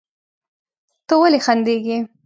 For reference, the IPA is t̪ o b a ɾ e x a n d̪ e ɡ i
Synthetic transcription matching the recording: t̪ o w a l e x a n d̪ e ɡ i